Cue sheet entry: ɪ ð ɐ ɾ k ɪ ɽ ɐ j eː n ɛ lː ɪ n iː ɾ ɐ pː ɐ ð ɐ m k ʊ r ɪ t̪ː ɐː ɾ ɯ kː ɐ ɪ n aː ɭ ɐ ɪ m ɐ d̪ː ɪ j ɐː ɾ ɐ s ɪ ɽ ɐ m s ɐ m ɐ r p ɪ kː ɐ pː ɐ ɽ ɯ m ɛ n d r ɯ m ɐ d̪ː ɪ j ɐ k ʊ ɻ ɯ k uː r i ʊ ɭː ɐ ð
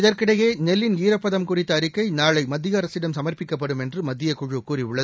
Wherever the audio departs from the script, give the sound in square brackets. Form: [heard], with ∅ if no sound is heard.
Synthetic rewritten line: ɪ ð ɐ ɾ k ɪ ɽ ɐ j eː n ɛ lː ɪ n iː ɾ ɐ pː ɐ ð ɐ m k ʊ r ɪ t̪ː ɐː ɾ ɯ kː ɐ ɪ n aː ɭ ɐ ɪ m ɐ d̪ː ɪ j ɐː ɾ ɐ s ɪ ɽ ɐ m s ɐ m ɐ r p ɪ kː ɐ pː ɐ ɽ ɯ m ɛ n d r ɯ m ɐ d̪ː ɪ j ɐ k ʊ ɻ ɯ k uː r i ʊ ɭː ɐ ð

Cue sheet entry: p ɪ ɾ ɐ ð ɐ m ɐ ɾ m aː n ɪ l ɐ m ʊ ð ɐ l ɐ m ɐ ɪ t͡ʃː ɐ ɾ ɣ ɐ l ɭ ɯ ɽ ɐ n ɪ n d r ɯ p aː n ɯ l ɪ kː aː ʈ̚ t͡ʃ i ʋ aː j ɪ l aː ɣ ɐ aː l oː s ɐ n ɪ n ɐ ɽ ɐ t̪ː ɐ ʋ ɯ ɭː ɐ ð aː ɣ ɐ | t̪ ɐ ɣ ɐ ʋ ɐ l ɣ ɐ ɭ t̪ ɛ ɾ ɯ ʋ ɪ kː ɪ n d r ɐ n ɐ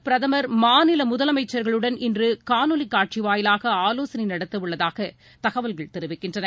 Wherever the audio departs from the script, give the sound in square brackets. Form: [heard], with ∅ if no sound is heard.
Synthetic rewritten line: p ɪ ɾ ɐ ð ɐ m ɐ ɾ m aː n ɪ l ɐ m ʊ ð ɐ l ɐ m ɐ ɪ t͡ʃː ɐ ɾ ɣ ɐ [∅] ɭ ɯ ɽ ɐ n ɪ n d r ɯ [k] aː n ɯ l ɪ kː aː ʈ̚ t͡ʃ i ʋ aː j ɪ l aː ɣ ɐ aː l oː s ɐ n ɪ n ɐ ɽ ɐ t̪ː ɐ ʋ ɯ ɭː ɐ ð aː ɣ ɐ | t̪ ɐ ɣ ɐ ʋ ɐ l ɣ ɐ ɭ t̪ ɛ ɾ ɯ ʋ ɪ kː ɪ n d r ɐ n ɐ

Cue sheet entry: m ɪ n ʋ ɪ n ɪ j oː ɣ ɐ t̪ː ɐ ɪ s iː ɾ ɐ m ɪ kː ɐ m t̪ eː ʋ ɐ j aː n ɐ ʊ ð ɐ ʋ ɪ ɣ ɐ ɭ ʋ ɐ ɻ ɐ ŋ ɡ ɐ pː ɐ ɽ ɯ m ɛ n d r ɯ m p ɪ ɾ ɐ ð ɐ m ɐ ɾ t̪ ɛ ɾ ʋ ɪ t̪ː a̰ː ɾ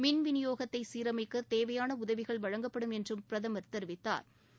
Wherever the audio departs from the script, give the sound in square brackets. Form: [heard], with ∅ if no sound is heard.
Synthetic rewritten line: m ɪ n ʋ ɪ n ɪ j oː ɣ ɐ t̪ː ɐ ɪ s iː ɾ ɐ m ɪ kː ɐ [∅] t̪ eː ʋ ɐ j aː n ɐ ʊ ð ɐ ʋ ɪ ɣ ɐ ɭ ʋ ɐ ɻ ɐ ŋ ɡ ɐ pː ɐ ɽ ɯ m ɛ n d r ɯ m p ɪ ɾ ɐ ð ɐ m ɐ ɾ t̪ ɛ ɾ ʋ ɪ t̪ː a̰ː ɾ

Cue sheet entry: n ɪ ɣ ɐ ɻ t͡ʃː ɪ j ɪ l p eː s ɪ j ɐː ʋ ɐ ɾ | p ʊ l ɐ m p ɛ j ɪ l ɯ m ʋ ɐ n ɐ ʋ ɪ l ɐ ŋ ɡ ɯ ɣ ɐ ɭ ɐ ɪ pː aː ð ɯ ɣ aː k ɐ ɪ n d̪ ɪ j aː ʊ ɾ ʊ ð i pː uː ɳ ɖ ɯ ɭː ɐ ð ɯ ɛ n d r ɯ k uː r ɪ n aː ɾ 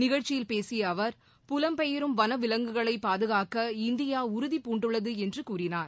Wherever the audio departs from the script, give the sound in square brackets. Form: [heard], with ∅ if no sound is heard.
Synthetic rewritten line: n ɪ ɣ ɐ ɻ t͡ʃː ɪ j ɪ l p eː s ɪ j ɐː ʋ ɐ ɾ | p ʊ l ɐ m p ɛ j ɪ [ɾ] ɯ m ʋ ɐ n ɐ ʋ ɪ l ɐ ŋ ɡ ɯ ɣ ɐ ɭ ɐ ɪ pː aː ð ɯ ɣ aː k ɐ ɪ n d̪ ɪ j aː ʊ ɾ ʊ ð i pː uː ɳ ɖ ɯ ɭː ɐ ð ɯ ɛ n d r ɯ k uː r ɪ n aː ɾ

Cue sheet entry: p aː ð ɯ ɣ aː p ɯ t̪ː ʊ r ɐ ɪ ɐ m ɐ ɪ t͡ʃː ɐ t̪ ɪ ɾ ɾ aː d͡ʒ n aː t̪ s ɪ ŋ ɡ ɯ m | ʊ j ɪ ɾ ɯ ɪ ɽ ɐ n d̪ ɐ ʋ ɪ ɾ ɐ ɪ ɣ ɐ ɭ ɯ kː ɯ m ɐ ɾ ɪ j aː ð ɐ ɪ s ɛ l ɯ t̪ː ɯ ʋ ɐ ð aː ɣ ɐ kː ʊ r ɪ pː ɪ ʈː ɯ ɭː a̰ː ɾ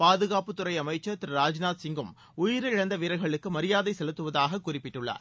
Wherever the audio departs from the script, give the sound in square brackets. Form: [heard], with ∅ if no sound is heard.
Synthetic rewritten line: p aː ð ɯ ɣ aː p ɯ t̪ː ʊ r ɐ ɪ ɐ m ɐ ɪ t͡ʃː ɐ t̪ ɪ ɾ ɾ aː d͡ʒ n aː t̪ s ɪ ŋ ɡ ɯ m | ʊ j ɪ ɾ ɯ ɪ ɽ ɐ n d̪ ɐ ʋ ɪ ɾ ɐ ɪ ɣ ɐ ɭ ɯ kː ɯ m ɐ ɾ ɪ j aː ð ɐ ɪ s ɛ l ɯ t̪ː ɯ ʋ ɐ ð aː ɣ ɐ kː ʊ r ɪ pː ɪ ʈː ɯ ɭː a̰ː ɾ

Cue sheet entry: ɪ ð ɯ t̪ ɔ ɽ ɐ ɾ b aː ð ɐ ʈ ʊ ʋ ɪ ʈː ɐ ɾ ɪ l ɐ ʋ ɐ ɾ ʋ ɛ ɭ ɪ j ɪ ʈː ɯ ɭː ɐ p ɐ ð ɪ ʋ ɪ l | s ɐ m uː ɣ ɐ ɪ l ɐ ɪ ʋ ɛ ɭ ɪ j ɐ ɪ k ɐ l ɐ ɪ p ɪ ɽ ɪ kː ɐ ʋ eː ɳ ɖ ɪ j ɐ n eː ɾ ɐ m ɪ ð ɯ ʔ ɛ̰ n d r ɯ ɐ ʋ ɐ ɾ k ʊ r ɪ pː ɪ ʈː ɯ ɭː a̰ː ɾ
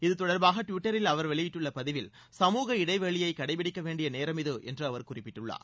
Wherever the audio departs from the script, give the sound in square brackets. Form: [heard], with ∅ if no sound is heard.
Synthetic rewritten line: ɪ ð ɯ t̪ ɔ ɽ ɐ ɾ b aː [ɣ] ɐ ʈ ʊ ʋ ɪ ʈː ɐ ɾ ɪ l ɐ ʋ ɐ ɾ ʋ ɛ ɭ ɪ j ɪ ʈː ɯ ɭː ɐ p ɐ ð ɪ ʋ ɪ l | s ɐ m uː ɣ ɐ ɪ [ɽ] ɐ ɪ ʋ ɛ ɭ ɪ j ɐ ɪ k ɐ [ɽ] ɐ ɪ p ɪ ɽ ɪ kː ɐ ʋ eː ɳ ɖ ɪ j ɐ n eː ɾ ɐ m ɪ ð ɯ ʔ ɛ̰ n d r ɯ ɐ ʋ ɐ ɾ k ʊ r ɪ pː ɪ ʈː ɯ ɭː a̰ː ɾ

